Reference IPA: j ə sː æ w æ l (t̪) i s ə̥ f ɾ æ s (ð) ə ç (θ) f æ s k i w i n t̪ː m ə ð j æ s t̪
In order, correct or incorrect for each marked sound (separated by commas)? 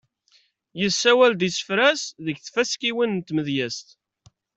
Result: incorrect, correct, correct